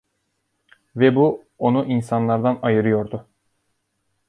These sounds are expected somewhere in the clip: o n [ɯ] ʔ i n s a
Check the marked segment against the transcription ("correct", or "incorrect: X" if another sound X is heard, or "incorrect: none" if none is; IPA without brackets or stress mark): incorrect: u